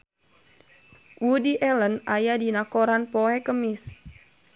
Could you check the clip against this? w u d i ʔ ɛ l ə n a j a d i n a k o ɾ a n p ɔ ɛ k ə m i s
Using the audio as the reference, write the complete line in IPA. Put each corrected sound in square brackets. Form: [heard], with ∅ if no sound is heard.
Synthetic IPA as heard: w u d i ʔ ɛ l ə n a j a d i n a k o ɾ a n p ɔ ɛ k ə m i s